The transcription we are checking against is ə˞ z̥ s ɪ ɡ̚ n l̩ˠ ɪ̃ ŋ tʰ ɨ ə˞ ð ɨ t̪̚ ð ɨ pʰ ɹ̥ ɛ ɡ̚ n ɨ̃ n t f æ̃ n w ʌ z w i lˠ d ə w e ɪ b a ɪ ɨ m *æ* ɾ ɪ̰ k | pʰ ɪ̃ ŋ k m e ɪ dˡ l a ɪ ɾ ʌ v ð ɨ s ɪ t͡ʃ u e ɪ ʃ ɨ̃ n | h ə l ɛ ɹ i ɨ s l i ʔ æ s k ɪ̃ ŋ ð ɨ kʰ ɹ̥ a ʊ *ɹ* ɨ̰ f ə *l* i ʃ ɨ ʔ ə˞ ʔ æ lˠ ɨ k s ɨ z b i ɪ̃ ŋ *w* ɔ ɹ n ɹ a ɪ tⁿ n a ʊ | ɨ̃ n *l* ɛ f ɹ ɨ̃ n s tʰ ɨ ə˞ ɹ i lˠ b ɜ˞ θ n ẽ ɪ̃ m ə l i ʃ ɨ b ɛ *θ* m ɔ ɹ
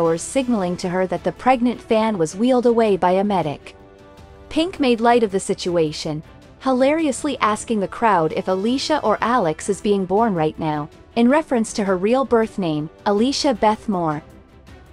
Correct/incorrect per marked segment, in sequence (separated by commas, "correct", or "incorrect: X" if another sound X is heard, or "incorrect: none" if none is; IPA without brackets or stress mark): incorrect: ɛ, incorrect: ɾ, correct, incorrect: b, incorrect: ɹ, correct